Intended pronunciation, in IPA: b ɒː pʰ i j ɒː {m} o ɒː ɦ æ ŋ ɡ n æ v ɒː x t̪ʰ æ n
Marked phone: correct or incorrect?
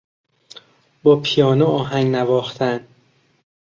incorrect